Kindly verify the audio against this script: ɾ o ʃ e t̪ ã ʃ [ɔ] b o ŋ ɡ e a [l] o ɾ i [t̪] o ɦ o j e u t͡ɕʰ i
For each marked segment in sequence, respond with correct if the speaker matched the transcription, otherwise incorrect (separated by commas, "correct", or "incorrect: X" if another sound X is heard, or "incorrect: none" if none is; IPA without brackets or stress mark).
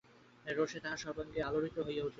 correct, correct, correct